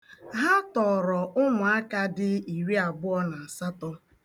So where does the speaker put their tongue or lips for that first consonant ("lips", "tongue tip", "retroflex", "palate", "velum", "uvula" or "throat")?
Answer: throat